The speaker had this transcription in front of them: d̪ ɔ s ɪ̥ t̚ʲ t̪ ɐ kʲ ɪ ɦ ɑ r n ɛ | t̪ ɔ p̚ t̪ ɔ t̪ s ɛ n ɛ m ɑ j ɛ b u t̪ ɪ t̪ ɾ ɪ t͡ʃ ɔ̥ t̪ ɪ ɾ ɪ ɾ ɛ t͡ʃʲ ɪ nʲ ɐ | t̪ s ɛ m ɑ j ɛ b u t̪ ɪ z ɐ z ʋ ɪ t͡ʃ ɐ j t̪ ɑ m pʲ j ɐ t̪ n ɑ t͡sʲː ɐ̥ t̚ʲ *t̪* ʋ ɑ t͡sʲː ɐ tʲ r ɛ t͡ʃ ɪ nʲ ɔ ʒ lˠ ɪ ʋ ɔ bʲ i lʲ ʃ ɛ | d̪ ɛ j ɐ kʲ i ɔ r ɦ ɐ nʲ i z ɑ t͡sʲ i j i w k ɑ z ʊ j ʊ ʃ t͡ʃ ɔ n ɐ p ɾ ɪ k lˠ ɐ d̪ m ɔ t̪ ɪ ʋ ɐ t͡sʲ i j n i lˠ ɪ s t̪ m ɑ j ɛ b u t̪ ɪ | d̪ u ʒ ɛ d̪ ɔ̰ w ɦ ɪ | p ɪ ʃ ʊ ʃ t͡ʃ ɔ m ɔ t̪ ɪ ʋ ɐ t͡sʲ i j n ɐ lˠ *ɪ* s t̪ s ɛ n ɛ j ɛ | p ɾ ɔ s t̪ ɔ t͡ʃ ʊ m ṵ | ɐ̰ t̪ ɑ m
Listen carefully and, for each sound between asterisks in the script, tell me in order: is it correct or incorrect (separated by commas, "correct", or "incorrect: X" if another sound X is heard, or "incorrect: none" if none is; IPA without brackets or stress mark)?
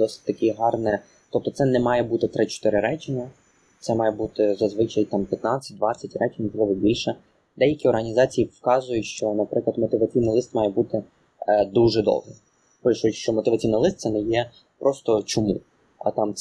incorrect: d̪, correct